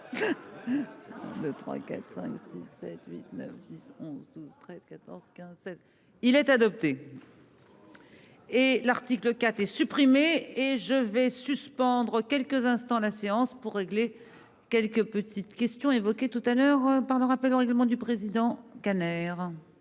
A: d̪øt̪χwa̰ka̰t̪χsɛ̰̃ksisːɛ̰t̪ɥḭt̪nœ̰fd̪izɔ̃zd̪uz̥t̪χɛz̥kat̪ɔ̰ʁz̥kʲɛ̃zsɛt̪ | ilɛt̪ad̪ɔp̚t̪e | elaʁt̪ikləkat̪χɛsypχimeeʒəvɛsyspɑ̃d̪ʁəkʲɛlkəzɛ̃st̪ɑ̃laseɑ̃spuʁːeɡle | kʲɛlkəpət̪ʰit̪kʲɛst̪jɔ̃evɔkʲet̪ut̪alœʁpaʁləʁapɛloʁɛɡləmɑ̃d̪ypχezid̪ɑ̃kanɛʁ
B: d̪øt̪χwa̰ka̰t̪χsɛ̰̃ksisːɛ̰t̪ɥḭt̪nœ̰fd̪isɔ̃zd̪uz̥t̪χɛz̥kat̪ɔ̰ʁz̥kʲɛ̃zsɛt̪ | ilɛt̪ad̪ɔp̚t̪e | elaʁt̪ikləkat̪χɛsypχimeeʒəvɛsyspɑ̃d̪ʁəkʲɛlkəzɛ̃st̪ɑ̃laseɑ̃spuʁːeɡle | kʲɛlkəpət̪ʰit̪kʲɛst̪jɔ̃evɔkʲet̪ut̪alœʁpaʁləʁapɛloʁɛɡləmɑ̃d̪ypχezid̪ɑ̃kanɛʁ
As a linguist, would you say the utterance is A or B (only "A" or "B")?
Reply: B